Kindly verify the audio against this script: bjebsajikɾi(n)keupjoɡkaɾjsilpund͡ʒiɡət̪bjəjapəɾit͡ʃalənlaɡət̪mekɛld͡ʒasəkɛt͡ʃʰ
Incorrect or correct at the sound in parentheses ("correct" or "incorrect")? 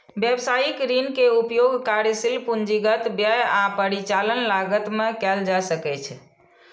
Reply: correct